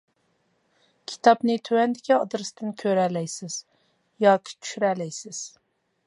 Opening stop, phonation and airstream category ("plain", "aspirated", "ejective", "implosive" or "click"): aspirated